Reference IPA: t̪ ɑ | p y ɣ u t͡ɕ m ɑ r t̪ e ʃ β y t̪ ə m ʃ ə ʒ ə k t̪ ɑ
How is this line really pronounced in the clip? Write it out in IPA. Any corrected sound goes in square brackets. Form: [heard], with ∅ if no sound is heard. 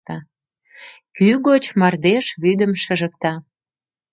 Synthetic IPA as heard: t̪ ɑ | [k] y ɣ [o] t͡ɕ m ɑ r [d̪] e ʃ β y [d̪] ə m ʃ ə ʒ ə k t̪ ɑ